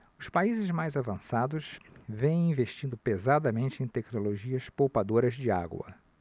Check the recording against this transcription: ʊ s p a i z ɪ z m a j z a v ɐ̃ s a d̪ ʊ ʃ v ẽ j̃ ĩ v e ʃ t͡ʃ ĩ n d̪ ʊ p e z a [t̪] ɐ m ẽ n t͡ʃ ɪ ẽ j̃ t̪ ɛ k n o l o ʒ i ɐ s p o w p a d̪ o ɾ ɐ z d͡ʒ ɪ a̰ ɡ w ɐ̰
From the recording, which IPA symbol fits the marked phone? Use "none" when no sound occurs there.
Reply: d̪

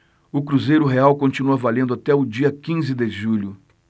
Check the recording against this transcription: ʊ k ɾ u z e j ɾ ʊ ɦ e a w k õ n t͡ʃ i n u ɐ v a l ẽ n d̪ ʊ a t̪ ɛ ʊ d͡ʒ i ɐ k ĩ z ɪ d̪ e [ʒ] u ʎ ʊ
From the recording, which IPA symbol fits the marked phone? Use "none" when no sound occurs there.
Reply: ʒ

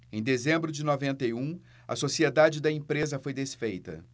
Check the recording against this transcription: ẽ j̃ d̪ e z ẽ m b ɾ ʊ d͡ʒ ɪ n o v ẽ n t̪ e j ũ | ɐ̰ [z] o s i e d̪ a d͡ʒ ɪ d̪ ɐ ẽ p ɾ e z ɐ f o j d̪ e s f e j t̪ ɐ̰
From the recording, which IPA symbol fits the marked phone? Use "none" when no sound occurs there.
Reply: s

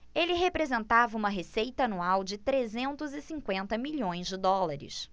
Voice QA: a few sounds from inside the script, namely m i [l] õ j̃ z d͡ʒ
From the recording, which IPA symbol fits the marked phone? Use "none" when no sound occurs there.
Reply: ʎ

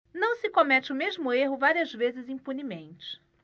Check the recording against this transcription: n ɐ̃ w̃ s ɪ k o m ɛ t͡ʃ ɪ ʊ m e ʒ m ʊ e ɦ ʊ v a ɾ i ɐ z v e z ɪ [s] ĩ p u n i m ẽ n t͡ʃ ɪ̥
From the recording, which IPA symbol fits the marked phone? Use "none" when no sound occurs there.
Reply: z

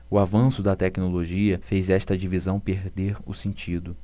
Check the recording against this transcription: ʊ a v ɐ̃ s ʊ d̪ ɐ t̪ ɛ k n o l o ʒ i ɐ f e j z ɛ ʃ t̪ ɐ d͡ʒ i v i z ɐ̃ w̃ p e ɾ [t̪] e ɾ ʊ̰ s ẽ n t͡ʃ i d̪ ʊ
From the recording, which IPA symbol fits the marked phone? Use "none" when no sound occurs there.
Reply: d̪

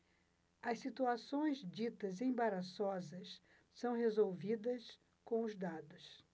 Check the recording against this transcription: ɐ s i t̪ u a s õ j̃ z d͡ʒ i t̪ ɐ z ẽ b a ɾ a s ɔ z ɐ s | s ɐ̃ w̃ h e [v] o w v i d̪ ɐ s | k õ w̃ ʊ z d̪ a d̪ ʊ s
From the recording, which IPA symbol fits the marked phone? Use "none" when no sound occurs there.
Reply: z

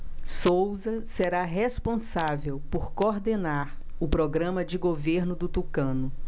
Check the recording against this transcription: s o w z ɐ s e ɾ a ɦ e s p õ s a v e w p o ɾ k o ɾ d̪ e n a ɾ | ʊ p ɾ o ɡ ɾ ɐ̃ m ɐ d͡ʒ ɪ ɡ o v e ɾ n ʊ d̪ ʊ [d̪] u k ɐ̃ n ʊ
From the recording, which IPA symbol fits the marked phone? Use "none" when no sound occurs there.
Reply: t̪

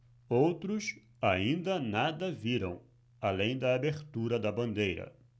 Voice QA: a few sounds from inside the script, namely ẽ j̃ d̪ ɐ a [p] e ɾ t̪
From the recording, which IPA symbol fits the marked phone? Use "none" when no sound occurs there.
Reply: b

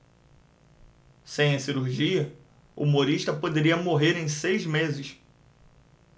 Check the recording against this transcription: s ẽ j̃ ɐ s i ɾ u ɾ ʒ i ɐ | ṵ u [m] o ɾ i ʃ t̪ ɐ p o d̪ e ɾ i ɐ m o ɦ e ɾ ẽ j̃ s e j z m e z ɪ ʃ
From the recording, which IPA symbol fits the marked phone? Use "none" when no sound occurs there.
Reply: m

